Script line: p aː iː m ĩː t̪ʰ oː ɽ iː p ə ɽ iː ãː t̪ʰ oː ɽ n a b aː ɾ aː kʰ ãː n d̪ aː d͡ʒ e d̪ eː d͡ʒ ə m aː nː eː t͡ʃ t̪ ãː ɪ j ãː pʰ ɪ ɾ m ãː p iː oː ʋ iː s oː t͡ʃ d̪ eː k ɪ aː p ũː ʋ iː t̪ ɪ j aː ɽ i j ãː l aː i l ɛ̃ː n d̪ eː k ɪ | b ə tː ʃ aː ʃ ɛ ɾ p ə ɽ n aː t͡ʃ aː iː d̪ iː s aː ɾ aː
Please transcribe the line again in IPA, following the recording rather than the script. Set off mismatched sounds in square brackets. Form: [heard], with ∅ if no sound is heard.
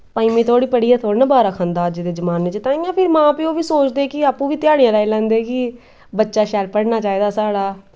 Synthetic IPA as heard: p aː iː m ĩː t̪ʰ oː ɽ iː p ə ɽ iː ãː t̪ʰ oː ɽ n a b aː ɾ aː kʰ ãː n d̪ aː d͡ʒ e d̪ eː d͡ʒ ə m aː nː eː t͡ʃ t̪ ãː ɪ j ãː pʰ ɪ ɾ m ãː p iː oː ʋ iː s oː t͡ʃ d̪ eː k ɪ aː p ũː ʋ iː t̪ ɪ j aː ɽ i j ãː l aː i l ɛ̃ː n d̪ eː k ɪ | b ə tː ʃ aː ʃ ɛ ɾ p ə ɽ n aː t͡ʃ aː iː d̪ [aː] s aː [ɽ] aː